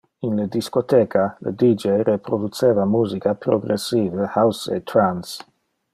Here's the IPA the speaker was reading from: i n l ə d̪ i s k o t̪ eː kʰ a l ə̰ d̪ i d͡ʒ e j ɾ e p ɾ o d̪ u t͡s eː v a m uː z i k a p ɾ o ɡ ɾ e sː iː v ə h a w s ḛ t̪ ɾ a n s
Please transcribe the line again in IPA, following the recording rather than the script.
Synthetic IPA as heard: i n l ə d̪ i s k o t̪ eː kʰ a l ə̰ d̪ i d͡ʒ e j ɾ e p ɾ o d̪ u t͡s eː v a m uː z i k a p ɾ o ɡ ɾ e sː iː v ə h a w s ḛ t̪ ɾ a n s